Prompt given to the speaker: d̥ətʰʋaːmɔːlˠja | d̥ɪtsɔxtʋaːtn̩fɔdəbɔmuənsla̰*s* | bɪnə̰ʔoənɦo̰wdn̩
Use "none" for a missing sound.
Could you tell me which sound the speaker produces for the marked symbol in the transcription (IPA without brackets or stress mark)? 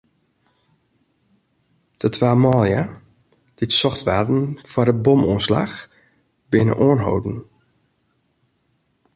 x